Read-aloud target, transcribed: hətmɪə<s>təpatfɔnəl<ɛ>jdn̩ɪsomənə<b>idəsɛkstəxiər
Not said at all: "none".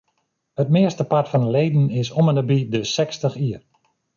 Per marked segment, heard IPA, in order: s, e, b

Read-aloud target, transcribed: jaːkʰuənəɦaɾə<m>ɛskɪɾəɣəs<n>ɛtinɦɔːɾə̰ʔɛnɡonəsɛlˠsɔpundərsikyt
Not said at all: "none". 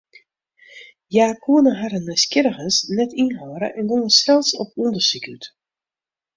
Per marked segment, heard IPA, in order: n, n

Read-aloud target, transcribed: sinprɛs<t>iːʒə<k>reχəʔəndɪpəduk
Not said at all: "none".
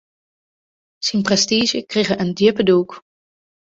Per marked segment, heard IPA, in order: t, k

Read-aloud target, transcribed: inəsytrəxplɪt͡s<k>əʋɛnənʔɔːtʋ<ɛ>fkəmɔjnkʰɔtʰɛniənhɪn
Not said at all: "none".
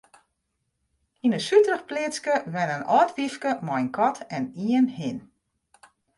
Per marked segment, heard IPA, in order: k, i

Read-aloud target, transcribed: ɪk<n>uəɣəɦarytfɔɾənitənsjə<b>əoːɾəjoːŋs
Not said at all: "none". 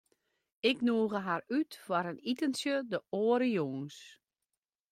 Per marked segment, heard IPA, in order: n, d

